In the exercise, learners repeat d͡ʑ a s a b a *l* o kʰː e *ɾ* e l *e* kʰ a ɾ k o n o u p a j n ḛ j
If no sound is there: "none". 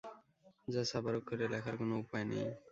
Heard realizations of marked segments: ɾ, ɾ, a

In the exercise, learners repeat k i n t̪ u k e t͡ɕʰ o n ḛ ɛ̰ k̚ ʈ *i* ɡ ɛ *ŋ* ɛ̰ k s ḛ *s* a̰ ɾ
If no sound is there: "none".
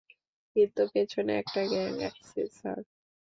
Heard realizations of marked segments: a, ŋ, s

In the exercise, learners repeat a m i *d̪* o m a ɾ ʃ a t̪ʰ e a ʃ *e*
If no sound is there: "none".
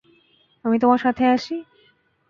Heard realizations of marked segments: t̪, i

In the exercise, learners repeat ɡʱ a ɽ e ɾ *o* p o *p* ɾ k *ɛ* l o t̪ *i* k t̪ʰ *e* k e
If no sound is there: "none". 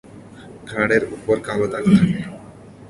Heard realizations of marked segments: u, none, a, a, a

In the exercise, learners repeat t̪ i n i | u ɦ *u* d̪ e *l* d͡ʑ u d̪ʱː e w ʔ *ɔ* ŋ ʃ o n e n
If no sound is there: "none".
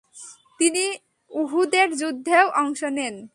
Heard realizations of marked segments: u, ɾ, ɔ

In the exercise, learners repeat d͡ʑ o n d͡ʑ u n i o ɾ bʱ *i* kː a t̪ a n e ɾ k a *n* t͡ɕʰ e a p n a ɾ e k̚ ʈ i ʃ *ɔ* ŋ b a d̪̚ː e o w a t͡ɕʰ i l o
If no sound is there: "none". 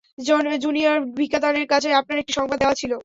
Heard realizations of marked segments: i, none, ɔ

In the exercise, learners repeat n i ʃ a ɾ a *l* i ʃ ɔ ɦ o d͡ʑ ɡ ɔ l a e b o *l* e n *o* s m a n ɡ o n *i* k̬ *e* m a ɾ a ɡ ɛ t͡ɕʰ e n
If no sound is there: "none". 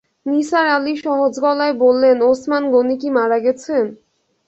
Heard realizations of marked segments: l, lː, o, i, i

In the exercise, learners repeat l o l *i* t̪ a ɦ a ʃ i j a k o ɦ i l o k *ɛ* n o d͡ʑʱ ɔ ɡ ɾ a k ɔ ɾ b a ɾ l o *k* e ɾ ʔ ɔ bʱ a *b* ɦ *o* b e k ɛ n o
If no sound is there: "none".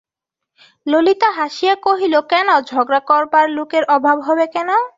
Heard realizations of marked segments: i, ɛ, k, b, ɔ

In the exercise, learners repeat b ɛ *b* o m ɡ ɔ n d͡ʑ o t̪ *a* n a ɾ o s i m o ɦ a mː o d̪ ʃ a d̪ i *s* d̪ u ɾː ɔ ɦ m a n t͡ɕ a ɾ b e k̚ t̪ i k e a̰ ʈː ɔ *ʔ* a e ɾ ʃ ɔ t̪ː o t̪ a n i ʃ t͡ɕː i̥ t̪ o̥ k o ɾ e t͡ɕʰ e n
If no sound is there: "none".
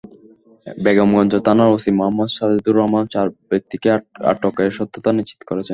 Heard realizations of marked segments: ɡ, a, none, k

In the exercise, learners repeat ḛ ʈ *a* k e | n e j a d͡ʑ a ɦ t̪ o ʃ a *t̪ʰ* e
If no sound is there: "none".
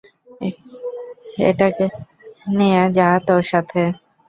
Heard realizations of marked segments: a, t̪ʰ

